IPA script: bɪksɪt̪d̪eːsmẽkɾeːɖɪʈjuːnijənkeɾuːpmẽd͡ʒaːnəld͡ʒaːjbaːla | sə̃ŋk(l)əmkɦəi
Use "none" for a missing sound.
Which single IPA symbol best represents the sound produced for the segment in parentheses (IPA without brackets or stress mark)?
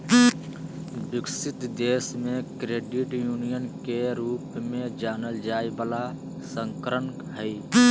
ɾ